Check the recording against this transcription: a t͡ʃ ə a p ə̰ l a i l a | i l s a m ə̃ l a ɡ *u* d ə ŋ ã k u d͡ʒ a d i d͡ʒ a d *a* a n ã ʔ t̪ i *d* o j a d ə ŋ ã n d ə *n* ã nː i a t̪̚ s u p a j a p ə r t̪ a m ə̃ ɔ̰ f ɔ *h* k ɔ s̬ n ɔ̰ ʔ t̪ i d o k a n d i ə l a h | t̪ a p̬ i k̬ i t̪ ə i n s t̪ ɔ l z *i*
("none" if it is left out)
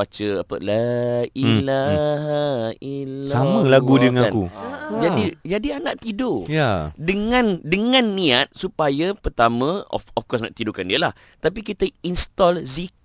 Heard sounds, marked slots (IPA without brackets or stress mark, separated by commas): u, i, d, ŋ, f, i